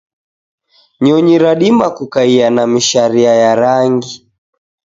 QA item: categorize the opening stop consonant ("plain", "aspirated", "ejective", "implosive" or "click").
implosive